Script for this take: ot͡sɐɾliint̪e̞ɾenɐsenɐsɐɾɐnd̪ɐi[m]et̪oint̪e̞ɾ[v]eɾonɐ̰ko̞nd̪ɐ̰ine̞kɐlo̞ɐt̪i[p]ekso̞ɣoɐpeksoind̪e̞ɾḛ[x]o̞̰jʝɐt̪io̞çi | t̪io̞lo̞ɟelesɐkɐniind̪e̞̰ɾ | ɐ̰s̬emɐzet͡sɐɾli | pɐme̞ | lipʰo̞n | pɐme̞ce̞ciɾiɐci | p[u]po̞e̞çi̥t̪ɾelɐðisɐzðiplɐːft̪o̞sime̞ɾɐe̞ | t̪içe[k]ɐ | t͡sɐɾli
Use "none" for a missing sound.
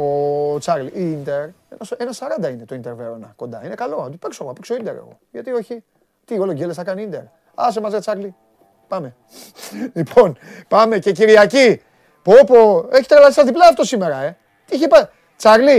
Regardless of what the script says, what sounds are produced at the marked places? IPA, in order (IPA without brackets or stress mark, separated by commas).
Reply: n, v, p, ɣ, o, p